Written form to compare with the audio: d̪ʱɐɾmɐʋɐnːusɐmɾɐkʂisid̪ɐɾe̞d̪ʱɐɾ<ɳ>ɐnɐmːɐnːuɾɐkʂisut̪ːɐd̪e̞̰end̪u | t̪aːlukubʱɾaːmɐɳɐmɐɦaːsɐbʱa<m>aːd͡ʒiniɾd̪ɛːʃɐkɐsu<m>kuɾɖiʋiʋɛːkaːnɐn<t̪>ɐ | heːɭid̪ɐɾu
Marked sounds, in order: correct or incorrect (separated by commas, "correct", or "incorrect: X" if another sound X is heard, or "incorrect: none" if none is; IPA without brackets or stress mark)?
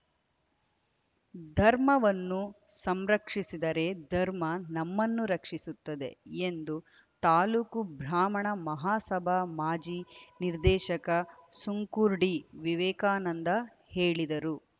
incorrect: m, correct, incorrect: ŋ, incorrect: d̪